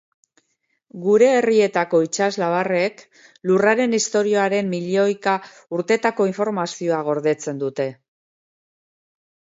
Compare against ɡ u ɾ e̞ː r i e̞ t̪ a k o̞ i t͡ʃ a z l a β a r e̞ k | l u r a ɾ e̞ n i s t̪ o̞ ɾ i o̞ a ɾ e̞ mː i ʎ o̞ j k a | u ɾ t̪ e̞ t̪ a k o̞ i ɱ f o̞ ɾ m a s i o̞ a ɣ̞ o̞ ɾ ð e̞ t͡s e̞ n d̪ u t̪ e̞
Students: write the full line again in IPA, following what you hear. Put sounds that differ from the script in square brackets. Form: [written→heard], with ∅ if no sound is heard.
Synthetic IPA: ɡ u ɾ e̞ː r i e̞ t̪ a k o̞ i t͡ʃ a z l a β a r e̞ k | l u r a ɾ e̞ n i s t̪ o̞ ɾ i o̞ a ɾ e̞ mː i ʎ o̞ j k a | u ɾ t̪ e̞ t̪ a k o̞ i ɱ f o̞ ɾ m a s i o̞ a ɣ̞ o̞ ɾ ð e̞ t͡s e̞ n d̪ u t̪ e̞